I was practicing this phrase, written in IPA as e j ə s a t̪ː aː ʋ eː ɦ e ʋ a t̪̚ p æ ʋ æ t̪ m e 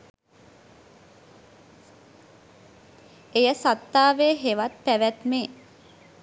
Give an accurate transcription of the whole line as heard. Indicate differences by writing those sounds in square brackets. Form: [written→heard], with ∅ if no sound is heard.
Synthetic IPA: e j ə s a t̪ː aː ʋ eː ɦ e ʋ a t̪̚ p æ ʋ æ t̪ m e